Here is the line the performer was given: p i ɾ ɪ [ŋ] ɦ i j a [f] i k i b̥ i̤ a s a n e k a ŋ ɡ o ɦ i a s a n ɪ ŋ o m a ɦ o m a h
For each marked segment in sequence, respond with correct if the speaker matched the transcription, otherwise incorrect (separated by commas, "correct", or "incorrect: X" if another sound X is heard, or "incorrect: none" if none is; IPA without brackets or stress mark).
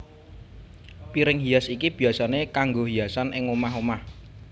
correct, incorrect: s